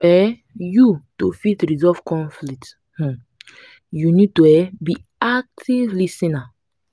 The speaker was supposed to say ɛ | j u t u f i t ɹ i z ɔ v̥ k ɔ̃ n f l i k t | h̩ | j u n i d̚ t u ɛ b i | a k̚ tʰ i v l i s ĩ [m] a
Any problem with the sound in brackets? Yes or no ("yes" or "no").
yes